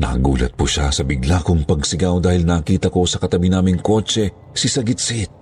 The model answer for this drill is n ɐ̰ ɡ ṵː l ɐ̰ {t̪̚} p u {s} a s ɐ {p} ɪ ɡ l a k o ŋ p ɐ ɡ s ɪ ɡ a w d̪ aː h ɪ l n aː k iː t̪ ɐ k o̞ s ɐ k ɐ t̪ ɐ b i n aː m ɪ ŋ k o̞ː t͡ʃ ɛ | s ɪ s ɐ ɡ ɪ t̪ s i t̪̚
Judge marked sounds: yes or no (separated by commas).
yes, no, no